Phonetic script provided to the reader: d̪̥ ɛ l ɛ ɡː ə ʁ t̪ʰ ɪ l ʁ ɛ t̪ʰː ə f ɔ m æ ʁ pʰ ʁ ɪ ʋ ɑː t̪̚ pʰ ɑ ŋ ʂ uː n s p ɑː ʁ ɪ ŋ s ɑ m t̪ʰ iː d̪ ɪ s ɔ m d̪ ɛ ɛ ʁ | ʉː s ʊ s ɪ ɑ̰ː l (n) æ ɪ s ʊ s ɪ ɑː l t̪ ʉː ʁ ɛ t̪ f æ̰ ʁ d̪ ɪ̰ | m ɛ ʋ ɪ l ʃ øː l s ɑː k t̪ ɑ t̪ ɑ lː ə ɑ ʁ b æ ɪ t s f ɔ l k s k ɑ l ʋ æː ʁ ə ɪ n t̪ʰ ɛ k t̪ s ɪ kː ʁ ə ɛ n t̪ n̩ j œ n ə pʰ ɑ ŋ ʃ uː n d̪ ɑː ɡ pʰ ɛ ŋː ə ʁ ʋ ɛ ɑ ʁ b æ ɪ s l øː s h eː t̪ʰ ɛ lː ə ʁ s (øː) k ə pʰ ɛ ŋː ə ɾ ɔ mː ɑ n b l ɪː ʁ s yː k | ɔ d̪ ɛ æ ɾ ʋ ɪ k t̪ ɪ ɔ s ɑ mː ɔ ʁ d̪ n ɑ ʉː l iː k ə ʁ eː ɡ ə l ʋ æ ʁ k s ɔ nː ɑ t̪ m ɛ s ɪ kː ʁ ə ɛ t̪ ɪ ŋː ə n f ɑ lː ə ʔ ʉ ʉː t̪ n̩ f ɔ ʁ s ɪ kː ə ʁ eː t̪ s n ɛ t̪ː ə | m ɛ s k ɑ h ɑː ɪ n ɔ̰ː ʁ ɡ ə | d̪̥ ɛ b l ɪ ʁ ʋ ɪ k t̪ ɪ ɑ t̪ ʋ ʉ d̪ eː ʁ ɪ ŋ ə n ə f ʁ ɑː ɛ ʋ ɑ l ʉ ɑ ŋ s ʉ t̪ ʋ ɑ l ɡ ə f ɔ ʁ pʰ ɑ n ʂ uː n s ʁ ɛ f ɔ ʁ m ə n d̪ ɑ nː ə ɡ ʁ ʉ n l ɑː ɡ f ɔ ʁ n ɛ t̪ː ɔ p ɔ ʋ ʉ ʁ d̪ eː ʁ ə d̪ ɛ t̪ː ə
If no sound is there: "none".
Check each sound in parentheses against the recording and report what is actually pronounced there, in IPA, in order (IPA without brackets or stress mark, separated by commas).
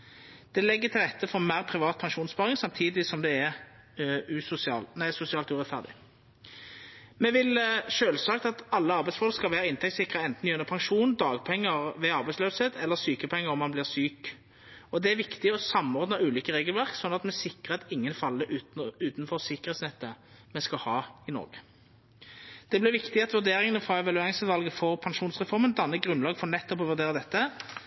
n, yː